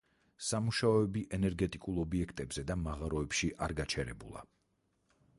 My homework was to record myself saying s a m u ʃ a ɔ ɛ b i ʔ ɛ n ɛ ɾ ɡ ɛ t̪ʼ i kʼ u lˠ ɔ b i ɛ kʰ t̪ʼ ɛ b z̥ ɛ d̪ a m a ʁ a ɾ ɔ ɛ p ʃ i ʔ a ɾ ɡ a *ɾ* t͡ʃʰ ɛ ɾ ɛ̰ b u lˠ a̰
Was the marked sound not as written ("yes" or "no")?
yes